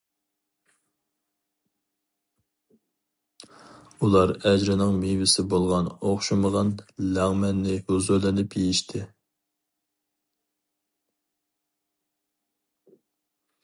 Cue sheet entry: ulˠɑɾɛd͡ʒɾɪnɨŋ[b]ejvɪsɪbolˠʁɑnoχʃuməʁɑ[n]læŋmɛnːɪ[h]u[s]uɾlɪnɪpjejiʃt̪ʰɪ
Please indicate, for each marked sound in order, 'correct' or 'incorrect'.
incorrect, correct, correct, incorrect

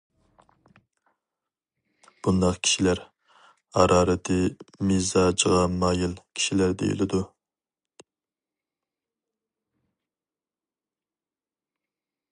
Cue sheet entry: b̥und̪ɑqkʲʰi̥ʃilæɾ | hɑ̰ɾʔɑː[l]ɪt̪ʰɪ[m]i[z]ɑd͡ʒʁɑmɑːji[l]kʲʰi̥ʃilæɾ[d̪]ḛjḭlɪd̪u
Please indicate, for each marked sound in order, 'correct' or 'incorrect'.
incorrect, correct, correct, correct, correct

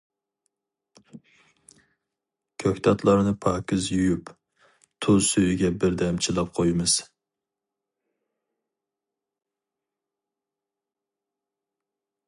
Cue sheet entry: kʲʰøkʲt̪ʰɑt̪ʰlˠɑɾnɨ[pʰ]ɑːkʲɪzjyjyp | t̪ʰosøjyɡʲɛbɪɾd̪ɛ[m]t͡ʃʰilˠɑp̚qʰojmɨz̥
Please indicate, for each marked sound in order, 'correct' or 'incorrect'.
correct, correct

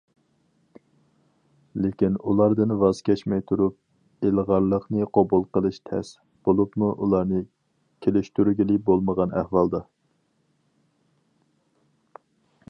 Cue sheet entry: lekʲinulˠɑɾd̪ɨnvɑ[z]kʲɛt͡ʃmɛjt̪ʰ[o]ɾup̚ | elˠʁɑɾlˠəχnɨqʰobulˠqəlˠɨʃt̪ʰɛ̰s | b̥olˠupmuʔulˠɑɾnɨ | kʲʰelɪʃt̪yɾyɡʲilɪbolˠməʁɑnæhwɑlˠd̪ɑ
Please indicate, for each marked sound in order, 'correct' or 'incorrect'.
correct, incorrect

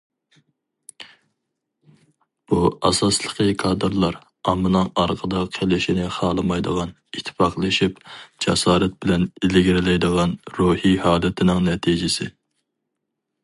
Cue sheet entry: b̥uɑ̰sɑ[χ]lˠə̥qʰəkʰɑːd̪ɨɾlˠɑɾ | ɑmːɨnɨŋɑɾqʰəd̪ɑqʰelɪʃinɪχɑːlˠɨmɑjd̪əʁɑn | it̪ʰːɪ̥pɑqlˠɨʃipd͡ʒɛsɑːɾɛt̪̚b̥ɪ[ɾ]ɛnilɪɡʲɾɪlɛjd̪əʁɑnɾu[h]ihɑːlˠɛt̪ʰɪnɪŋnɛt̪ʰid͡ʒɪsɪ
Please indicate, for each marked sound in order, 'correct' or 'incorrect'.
incorrect, incorrect, correct

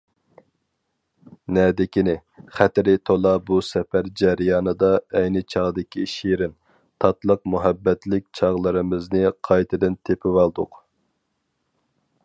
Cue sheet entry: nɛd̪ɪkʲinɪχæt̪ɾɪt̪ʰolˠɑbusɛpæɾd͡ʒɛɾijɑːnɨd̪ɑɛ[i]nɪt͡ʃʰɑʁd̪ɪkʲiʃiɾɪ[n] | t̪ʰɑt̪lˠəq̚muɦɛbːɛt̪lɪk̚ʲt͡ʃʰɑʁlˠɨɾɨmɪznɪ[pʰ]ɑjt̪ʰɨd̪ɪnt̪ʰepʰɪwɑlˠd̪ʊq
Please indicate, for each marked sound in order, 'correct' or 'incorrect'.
incorrect, correct, incorrect

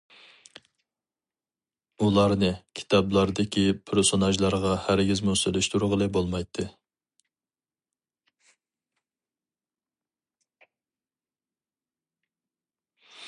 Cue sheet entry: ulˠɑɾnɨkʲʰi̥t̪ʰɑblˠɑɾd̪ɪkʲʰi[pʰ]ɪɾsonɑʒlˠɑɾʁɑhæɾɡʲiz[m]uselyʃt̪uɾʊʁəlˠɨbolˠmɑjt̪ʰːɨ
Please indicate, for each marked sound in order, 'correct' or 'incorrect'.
correct, correct

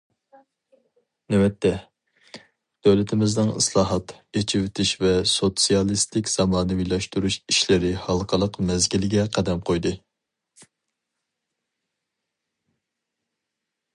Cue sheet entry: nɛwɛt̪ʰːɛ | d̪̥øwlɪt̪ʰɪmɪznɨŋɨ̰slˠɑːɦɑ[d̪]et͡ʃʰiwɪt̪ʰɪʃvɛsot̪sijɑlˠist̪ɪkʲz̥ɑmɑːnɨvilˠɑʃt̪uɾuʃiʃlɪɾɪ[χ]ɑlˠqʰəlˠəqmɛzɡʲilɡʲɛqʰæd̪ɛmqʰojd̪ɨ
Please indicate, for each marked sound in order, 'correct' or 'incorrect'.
incorrect, incorrect

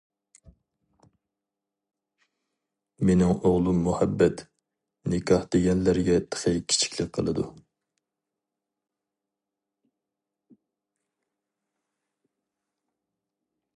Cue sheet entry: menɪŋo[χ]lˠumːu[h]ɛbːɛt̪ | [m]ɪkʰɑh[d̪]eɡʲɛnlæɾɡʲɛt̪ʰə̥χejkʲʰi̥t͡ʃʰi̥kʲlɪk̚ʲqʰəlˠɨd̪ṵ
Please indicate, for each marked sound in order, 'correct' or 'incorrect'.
incorrect, correct, incorrect, correct

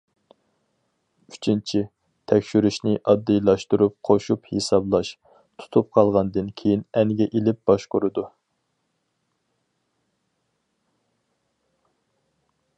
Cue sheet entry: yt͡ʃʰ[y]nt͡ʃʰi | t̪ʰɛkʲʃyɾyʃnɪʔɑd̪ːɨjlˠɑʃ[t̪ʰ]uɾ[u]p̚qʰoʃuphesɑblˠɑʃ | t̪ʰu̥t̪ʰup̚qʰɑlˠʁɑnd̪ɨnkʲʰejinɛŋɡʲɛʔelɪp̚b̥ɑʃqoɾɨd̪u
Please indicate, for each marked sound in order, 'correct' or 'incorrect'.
incorrect, incorrect, correct

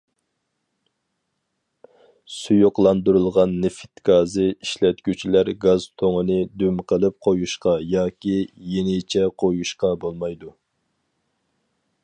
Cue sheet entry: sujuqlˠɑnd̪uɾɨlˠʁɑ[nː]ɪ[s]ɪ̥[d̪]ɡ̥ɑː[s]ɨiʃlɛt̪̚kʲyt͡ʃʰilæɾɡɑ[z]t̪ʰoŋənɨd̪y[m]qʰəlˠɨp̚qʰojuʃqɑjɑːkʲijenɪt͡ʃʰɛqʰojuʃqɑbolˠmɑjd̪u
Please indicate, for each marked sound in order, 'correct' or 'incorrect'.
correct, incorrect, incorrect, incorrect, correct, correct

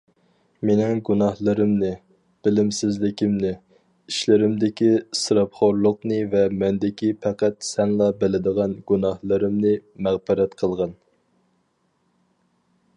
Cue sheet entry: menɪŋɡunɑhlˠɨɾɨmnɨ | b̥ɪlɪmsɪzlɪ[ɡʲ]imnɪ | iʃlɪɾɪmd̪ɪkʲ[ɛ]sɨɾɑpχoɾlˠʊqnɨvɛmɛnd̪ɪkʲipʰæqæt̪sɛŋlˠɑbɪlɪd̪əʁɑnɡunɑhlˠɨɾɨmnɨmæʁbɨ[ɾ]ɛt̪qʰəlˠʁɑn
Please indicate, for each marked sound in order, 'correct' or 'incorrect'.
incorrect, incorrect, correct

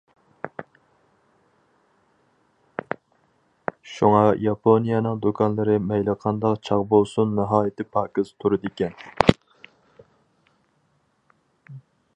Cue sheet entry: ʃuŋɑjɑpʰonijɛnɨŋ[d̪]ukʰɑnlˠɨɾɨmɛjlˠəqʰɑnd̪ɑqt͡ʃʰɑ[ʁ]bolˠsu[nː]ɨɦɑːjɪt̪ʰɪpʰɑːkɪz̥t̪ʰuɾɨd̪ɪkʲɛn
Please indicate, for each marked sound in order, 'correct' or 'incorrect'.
correct, correct, correct

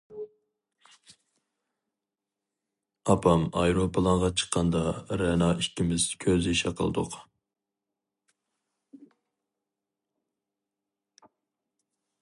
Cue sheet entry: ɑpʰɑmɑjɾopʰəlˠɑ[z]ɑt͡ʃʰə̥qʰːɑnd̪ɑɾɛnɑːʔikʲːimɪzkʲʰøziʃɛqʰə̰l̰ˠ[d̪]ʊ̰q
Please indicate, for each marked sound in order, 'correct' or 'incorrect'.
incorrect, correct

